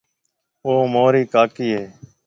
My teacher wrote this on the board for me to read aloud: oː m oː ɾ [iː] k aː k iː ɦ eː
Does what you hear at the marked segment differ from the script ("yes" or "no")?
no